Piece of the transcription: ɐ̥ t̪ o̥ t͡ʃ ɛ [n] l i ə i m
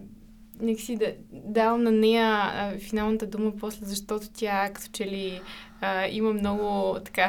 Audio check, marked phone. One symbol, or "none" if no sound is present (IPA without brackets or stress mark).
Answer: none